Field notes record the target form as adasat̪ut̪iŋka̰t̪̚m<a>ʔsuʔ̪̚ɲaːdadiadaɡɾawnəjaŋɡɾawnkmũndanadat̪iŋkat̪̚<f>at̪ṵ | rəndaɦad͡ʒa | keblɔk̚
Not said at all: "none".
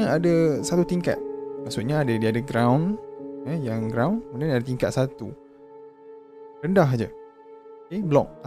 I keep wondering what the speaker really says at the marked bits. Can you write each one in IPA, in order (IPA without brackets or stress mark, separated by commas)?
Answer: a, s